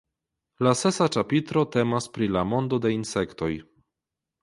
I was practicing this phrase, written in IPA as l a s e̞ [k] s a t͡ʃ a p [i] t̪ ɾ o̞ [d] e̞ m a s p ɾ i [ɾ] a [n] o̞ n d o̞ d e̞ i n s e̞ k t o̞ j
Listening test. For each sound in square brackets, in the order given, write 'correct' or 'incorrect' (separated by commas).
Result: incorrect, correct, incorrect, incorrect, incorrect